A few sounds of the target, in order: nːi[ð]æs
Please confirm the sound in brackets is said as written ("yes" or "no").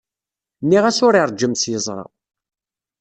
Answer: no